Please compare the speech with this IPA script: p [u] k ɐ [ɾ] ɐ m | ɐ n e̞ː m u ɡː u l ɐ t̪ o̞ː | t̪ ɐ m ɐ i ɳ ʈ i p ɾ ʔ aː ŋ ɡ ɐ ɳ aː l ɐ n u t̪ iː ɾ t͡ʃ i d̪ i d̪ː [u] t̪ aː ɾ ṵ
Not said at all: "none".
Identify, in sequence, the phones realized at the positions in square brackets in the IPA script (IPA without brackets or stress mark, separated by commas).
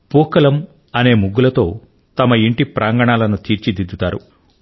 uː, l, u